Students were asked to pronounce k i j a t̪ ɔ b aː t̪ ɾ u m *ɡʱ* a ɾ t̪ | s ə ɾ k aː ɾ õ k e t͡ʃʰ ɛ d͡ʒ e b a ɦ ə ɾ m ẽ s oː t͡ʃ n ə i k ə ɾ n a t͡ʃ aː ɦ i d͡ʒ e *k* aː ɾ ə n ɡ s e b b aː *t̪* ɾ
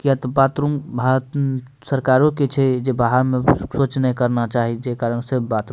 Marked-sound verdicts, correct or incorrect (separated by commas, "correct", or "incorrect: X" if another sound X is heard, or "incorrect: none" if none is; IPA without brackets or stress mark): incorrect: bʱ, correct, correct